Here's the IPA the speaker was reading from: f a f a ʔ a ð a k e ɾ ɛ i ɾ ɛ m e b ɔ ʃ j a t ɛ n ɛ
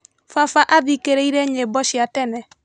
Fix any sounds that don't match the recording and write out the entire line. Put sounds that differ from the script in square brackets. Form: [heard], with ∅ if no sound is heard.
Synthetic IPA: f a f a ʔ a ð [i] k e ɾ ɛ i ɾ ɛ [ɲ] e b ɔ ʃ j a t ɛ n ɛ